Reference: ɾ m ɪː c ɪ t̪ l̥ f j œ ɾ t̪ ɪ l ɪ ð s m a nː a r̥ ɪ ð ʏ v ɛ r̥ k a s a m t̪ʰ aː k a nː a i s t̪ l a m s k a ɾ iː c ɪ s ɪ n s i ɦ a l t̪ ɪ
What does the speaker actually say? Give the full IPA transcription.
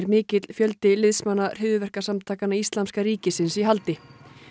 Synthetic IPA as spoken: ɾ m ɪː c ɪ t̪ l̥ f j œ l t̪ ɪ l ɪ ð s m a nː a r̥ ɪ ð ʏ v ɛ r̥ k a s a m t̪ʰ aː k a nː a i s t̪ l a m s k a ɾ iː c ɪ s ɪ n s i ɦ a l t̪ ɪ